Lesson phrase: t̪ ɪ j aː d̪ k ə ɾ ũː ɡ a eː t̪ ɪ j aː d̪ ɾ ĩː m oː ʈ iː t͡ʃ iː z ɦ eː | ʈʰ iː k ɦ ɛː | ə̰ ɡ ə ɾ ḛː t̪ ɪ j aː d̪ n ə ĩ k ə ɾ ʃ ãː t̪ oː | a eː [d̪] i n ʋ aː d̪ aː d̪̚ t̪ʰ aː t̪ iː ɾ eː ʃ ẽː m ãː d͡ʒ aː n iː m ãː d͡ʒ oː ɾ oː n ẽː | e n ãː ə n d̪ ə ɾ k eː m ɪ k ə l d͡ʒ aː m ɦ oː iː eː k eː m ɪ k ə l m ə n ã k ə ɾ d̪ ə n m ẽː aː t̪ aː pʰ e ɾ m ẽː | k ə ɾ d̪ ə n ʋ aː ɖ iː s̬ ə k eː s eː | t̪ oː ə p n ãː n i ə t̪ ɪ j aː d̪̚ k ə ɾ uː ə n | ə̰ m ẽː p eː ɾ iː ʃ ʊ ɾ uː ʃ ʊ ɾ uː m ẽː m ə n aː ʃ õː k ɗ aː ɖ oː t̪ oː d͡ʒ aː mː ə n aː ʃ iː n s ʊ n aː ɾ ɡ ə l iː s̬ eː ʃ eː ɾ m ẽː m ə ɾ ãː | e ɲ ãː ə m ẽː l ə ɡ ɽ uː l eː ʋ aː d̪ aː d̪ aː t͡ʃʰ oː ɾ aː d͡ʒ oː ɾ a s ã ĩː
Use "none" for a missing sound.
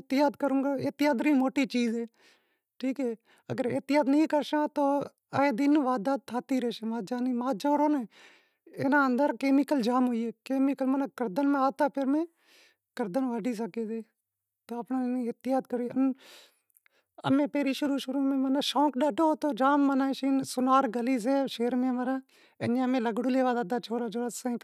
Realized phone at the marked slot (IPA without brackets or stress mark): d̪